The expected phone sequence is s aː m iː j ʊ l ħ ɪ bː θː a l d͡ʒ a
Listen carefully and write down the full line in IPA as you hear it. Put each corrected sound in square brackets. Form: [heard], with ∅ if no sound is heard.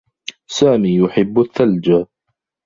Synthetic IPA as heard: s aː m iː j ʊ [∅] ħ ɪ bː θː a l d͡ʒ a

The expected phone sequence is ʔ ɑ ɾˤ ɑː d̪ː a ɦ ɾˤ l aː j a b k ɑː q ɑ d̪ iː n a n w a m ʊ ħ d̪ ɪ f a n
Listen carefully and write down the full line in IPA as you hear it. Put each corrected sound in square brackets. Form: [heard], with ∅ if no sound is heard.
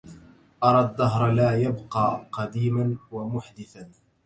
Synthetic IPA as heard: ʔ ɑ ɾˤ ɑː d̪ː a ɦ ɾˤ l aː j a b [q] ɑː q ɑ d̪ iː [m] a n w a m ʊ ħ d̪ ɪ [θ] a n

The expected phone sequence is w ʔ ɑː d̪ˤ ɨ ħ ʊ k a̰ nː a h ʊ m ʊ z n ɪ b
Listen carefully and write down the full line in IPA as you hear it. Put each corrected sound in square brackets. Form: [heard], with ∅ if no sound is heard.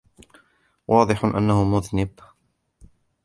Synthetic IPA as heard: w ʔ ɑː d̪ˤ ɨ ħ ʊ [ʔ] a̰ nː a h ʊ m ʊ [ð] n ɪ b

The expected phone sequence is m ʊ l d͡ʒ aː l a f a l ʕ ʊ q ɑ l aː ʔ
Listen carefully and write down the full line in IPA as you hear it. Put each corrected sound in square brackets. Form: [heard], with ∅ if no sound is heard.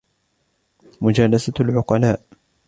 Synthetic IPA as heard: m ʊ [∅] d͡ʒ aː l a [s] a l ʕ ʊ q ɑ l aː ʔ

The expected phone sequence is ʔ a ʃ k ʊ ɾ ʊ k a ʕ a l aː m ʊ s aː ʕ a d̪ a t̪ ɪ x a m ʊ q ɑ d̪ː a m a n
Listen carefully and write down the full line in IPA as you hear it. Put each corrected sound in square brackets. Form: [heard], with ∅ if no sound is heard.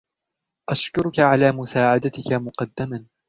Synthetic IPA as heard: ʔ a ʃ k ʊ ɾ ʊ k a ʕ a l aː m ʊ s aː ʕ a d̪ a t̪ ɪ [k] a m ʊ q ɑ d̪ː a m a n

